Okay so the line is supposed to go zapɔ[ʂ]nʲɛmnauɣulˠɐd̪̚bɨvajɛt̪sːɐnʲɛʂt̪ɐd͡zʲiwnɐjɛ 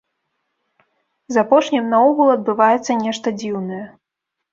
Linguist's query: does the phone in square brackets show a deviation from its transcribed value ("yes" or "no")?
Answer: no